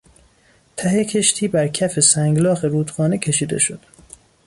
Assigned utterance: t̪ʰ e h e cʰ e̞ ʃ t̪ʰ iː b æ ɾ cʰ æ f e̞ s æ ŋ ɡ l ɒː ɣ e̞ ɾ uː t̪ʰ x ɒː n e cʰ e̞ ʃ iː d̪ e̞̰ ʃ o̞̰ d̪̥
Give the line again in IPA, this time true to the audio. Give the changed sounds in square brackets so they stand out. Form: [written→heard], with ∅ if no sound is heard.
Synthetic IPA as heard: t̪ʰ [e→æ] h e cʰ e̞ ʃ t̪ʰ iː b æ ɾ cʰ æ f e̞ s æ ŋ ɡ l ɒː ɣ e̞ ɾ uː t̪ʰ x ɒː n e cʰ e̞ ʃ iː d̪ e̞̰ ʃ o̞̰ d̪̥

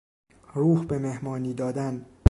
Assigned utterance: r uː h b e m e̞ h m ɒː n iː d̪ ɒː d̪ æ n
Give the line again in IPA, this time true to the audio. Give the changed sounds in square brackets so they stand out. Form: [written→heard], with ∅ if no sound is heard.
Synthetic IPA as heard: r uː h b e m e̞ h m ɒː n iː d̪ ɒː d̪ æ n

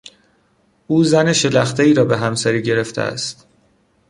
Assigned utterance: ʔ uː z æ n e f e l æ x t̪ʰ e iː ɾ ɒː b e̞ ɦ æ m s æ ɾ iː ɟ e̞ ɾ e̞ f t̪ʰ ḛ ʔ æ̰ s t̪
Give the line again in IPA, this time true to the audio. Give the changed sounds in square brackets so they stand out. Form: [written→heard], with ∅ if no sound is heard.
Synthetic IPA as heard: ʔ uː z æ n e [f→ʃ] e l æ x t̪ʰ e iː ɾ ɒː b e̞ ɦ æ m s æ ɾ iː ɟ e̞ ɾ e̞ f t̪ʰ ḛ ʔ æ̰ s t̪

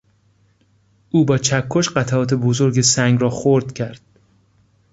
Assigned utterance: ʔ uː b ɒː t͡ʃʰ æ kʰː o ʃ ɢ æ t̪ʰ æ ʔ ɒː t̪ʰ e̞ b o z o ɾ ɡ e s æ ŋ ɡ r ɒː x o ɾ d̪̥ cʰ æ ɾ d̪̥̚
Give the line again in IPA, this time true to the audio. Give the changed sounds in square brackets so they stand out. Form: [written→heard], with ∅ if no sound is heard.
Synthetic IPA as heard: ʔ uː b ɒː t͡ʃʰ æ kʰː o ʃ ɢ æ t̪ʰ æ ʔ ɒː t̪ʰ e̞ b o z o ɾ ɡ e s æ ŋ ɡ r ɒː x o ɾ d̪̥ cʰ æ ɾ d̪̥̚

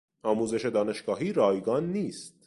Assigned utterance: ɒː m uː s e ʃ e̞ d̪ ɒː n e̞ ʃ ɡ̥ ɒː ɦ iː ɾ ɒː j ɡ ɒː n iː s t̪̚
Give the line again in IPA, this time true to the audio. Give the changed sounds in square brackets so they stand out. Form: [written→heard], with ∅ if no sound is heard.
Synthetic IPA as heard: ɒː m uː [s→z] e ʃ e̞ d̪ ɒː n e̞ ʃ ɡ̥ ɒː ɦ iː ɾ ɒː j ɡ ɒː [n→nː] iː s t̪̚

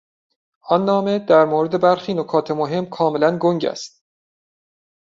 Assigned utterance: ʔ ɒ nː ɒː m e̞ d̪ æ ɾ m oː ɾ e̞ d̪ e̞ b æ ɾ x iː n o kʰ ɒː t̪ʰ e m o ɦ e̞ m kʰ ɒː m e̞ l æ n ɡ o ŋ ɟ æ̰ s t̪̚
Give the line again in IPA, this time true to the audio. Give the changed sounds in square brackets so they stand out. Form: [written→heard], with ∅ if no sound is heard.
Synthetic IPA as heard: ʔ ɒ nː ɒː m e̞ d̪ æ ɾ m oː ɾ e̞ d̪ e̞ b æ ɾ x iː n o kʰ ɒː t̪ʰ e m o ɦ e̞ m kʰ ɒː m e̞ l æ n ɡ o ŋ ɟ æ̰ s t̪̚

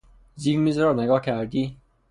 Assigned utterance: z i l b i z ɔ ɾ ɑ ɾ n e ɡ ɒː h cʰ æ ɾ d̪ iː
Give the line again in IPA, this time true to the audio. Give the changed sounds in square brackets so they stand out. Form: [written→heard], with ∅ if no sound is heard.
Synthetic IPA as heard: z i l [b→m] i z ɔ ɾ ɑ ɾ n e ɡ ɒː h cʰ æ ɾ d̪ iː

